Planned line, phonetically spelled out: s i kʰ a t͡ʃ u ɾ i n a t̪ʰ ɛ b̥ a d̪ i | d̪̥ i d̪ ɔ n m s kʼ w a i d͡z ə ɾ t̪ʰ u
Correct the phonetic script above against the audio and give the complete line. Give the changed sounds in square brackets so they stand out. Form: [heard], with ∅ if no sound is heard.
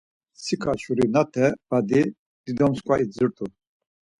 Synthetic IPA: s i kʰ a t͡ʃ u ɾ i n a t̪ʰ ɛ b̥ a d̪ i | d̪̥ i d̪ ɔ [∅] m s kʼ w a i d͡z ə ɾ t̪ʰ u